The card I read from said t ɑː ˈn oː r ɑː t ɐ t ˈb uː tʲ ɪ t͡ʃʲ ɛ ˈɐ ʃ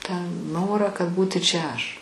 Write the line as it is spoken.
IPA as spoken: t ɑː ˈn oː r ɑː k ɐ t ˈb uː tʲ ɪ t͡ʃʲ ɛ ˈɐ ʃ